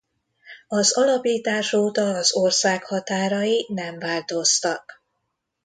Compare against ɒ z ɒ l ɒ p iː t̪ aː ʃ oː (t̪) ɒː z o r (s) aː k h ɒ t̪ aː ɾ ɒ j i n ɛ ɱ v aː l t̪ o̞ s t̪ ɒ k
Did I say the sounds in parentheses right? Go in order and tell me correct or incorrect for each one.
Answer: correct, correct

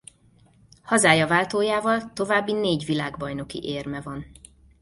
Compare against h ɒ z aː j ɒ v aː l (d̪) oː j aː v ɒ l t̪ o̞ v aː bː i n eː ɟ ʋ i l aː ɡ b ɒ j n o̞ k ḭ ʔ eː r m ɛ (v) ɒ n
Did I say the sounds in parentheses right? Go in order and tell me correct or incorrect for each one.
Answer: incorrect: t̪, correct

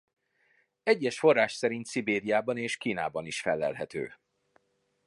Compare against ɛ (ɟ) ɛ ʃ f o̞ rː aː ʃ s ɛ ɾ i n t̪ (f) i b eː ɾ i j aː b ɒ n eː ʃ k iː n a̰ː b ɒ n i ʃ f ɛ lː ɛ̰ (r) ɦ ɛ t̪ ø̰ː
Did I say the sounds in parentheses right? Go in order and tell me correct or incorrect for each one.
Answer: incorrect: ɟː, incorrect: s, incorrect: l

